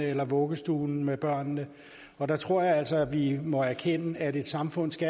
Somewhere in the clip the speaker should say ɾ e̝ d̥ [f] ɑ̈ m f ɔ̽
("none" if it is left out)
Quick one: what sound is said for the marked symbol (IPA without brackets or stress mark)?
s